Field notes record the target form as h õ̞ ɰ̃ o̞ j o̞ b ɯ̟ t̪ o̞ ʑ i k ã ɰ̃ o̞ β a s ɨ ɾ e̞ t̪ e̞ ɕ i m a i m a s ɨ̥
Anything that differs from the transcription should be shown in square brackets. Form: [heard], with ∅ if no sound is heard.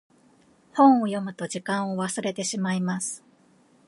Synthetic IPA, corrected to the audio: h õ̞ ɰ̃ o̞ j o̞ [m] ɯ̟ t̪ o̞ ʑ i k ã ɰ̃ o̞ β a s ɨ ɾ e̞ t̪ e̞ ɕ i m a i m a s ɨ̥